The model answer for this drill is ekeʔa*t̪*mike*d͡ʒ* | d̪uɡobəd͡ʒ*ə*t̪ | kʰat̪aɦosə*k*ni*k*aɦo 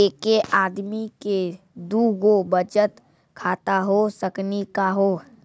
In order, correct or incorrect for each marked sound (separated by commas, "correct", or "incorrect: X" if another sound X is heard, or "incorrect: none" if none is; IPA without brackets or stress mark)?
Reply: incorrect: d̪, incorrect: none, correct, correct, correct